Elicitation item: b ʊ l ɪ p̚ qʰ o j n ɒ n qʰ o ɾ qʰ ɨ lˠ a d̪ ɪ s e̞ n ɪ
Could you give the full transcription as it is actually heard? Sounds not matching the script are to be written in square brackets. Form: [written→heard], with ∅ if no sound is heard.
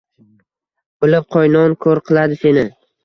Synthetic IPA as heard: b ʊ l ɪ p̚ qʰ [o→ɒ] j n ɒ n [qʰ→kʰ] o ɾ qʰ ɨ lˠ a d̪ ɪ s e̞ n ɪ